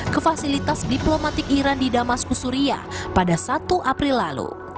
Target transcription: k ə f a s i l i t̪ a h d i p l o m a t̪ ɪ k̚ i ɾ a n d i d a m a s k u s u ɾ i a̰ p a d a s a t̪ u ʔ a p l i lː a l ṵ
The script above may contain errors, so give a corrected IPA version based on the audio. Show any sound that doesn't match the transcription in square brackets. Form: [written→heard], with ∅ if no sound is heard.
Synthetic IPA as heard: k ə f a s i l i t̪ a [h→s] d i p l o m a t̪ ɪ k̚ i ɾ a n d i d a m a s k u s u ɾ i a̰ p a d a s a t̪ u ʔ a p [l→ɾ] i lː a l ṵ